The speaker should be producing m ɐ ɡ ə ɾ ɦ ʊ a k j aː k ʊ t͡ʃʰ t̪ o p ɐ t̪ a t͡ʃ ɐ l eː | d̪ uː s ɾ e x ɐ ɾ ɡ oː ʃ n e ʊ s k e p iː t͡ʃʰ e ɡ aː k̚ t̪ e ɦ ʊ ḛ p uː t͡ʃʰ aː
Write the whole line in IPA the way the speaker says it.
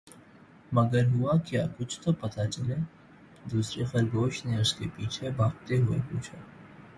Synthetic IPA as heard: m ɐ ɡ ə ɾ ɦ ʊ a k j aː k ʊ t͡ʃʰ t̪ o p ɐ t̪ a t͡ʃ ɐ l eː | d̪ uː s ɾ e x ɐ ɾ ɡ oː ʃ n e ʊ s k e p iː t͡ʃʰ e b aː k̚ t̪ e ɦ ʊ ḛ p uː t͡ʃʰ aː